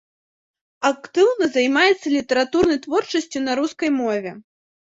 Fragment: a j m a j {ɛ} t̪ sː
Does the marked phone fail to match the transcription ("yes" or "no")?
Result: no